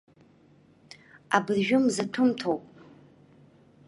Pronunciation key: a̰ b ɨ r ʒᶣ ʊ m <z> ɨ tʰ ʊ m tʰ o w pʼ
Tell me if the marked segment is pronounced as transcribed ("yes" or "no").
yes